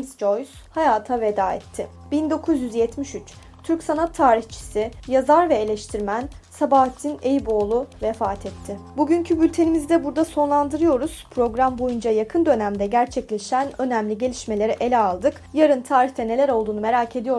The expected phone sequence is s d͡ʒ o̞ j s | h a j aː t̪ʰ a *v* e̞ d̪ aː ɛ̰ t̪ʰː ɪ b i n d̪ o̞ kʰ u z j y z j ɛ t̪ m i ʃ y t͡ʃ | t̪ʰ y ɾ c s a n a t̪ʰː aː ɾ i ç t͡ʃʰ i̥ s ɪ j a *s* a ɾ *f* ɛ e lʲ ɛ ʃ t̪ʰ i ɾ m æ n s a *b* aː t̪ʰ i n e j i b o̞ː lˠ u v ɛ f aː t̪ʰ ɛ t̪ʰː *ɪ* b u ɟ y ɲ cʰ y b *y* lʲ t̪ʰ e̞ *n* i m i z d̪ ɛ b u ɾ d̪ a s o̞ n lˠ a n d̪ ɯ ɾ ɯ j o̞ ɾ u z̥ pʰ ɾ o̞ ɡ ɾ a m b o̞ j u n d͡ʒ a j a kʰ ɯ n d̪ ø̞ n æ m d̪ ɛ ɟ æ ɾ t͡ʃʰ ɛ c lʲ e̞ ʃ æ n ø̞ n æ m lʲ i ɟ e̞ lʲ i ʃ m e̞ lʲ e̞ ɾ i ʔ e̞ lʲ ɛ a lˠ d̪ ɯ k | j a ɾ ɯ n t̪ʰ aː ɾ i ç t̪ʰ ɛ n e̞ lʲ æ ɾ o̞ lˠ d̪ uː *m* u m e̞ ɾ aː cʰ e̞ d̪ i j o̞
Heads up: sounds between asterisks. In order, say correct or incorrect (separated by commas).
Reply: correct, incorrect, incorrect, correct, correct, correct, correct, incorrect